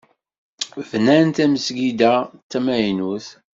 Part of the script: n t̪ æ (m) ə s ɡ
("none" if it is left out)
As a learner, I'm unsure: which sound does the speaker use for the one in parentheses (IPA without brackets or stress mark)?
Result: m